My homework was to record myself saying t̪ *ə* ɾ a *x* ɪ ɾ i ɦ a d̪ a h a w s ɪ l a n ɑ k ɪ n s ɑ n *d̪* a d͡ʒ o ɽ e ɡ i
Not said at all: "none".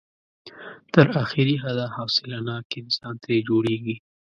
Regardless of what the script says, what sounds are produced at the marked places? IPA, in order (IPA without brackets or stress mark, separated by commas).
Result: ə, x, t̪